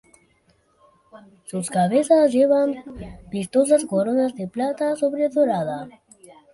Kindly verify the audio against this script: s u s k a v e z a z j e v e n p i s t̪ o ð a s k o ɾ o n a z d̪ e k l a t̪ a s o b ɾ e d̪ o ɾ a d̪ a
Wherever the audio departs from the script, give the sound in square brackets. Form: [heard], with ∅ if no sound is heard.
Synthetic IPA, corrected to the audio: s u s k a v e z a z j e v [a] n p i s t̪ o [z] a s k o ɾ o n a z d̪ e [p] l a t̪ a s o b ɾ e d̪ o ɾ a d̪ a